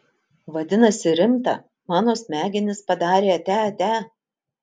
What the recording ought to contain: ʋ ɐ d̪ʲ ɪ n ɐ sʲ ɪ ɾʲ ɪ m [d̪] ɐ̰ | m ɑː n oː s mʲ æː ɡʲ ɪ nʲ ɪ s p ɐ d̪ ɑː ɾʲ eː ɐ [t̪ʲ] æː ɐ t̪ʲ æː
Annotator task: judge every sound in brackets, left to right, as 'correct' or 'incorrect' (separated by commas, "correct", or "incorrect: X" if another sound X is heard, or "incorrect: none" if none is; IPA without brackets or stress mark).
incorrect: t̪, correct